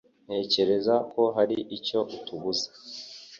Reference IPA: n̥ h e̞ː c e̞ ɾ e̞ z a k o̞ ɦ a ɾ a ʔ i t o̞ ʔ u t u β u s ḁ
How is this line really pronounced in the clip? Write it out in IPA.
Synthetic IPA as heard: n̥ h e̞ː c e̞ ɾ e̞ z a k o̞ ɦ a ɾ i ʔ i c o̞ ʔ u t u β u z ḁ